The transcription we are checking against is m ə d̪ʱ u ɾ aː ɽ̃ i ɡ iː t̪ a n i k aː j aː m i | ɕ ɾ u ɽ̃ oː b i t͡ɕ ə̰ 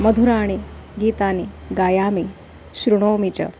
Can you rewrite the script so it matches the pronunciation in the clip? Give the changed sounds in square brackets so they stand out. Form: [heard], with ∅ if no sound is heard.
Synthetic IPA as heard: m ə d̪ʱ u ɾ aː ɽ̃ i ɡ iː t̪ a n i [ɡ] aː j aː m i | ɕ ɾ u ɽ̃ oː [m] i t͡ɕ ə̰